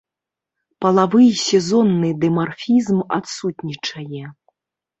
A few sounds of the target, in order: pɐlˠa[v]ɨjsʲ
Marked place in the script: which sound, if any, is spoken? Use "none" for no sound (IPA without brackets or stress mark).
v